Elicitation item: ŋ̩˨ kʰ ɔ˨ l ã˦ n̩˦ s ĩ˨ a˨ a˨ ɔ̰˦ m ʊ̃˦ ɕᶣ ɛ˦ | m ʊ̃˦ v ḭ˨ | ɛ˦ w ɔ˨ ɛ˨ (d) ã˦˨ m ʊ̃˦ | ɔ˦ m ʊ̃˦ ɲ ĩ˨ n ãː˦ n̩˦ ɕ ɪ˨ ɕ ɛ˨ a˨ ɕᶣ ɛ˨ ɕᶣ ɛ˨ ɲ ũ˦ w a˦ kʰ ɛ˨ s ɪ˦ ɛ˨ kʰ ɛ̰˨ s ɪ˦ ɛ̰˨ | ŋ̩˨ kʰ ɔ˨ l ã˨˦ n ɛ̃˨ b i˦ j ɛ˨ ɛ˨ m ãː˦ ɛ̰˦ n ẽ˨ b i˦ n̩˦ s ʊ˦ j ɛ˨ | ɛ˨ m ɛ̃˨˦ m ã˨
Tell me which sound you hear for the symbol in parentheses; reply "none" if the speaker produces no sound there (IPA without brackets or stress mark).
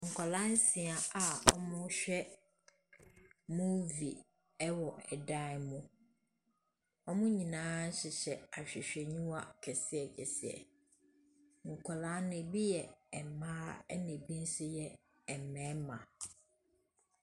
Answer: d